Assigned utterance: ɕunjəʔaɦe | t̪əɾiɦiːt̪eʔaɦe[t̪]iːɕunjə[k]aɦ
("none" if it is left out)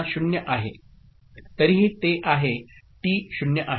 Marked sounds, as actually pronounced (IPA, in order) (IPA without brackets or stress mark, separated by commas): t̪, ʔ